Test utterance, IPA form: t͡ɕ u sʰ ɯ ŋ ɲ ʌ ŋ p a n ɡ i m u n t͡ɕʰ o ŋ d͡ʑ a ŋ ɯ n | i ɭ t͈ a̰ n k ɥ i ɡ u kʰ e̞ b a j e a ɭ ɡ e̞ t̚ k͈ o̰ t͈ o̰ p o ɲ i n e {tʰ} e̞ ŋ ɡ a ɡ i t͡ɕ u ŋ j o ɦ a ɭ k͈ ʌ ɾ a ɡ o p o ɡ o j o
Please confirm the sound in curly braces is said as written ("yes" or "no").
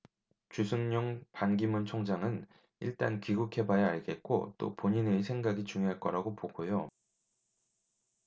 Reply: no